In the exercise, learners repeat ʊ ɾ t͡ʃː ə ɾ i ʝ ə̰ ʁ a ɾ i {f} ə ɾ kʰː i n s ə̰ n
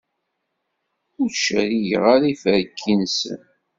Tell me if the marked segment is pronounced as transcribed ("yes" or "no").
yes